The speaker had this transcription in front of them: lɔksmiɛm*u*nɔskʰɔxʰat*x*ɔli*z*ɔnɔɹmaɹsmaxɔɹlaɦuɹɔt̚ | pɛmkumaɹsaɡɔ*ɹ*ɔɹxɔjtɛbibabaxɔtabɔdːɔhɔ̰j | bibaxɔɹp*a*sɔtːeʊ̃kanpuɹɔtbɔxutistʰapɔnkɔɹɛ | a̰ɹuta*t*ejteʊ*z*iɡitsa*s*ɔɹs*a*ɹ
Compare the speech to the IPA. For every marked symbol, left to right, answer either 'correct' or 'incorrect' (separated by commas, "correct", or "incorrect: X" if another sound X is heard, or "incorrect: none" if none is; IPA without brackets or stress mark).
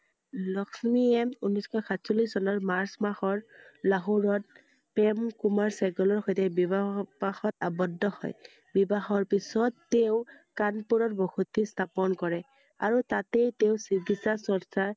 correct, incorrect: s, incorrect: s, incorrect: l, incorrect: i, correct, incorrect: s, correct, correct